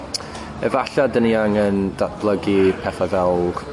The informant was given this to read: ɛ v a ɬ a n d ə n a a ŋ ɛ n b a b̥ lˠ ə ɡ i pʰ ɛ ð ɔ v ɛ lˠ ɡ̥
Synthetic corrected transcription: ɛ v a ɬ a d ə n i a ŋ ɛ n d a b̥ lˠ ə ɡ i pʰ ɛ θ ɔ v ɛ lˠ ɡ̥